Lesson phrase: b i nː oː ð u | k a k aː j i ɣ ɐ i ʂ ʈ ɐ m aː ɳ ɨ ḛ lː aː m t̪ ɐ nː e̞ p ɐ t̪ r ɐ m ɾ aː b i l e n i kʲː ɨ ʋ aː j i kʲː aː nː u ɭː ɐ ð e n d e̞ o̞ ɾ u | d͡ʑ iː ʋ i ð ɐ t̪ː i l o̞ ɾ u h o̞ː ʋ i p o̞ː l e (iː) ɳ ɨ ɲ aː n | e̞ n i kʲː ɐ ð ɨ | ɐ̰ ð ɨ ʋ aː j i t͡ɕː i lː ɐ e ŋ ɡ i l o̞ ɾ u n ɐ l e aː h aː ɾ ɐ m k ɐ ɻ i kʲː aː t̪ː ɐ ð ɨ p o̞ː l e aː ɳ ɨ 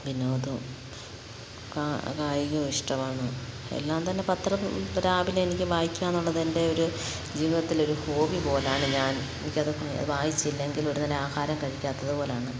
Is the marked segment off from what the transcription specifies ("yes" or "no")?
yes